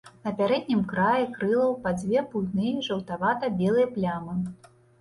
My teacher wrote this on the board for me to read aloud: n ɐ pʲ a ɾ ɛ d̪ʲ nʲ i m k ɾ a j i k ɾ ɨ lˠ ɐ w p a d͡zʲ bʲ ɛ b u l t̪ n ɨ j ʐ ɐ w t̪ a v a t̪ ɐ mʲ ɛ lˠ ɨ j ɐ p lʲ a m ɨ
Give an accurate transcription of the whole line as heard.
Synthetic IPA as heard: n ɐ pʲ a ɾ ɛ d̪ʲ nʲ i m k ɾ a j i k ɾ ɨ lˠ ɐ w p a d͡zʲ vʲ ɛ p u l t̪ n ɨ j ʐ ɐ w t̪ a v a t̪ ɐ bʲ ɛ lˠ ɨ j ɐ p lʲ a m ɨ

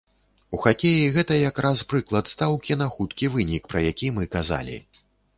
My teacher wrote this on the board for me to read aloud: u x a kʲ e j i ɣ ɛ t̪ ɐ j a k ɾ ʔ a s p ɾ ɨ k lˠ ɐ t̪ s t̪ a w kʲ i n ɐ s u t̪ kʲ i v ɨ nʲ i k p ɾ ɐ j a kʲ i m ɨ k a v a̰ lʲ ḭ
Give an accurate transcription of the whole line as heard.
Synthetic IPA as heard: u x a kʲ e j i ɣ ɛ t̪ ɐ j a k ɾ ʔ a s p ɾ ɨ k lˠ ɐ t̪ s t̪ a w kʲ i n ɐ x u t̪ kʲ i v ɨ nʲ i k p ɾ ɐ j a kʲ i m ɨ k a z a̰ lʲ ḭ

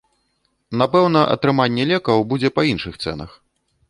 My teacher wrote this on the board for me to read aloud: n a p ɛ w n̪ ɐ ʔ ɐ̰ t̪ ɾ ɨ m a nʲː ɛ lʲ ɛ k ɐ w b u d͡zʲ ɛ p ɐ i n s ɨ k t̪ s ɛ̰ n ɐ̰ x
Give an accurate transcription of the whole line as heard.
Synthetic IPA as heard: n a p ɛ w n̪ ɐ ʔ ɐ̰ t̪ ɾ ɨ m a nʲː ɛ lʲ ɛ k ɐ w b u d͡zʲ ɛ p ɐ i n ʂ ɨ x t̪ s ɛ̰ n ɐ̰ x

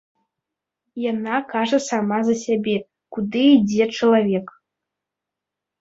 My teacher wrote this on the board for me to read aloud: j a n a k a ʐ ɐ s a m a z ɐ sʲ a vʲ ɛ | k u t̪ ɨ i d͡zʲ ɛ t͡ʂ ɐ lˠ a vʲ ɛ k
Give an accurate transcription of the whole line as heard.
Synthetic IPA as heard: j a n a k a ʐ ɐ s a m a z ɐ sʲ a bʲ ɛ | k u d̪ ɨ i d͡zʲ ɛ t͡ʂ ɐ lˠ a vʲ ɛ k

